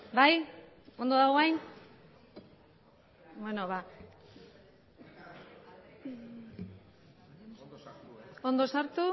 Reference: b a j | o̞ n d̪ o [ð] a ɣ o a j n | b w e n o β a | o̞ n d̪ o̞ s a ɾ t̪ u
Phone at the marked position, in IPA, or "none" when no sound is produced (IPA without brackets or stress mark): ð